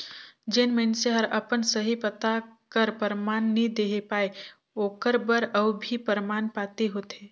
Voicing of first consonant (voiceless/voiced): voiced